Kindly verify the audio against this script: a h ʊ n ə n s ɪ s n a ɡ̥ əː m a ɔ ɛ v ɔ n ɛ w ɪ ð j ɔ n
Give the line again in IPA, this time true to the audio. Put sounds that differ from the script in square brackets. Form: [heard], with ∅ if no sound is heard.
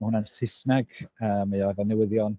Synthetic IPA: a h ʊ n [a] n s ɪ s n a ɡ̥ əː m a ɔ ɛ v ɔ n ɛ w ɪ ð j ɔ n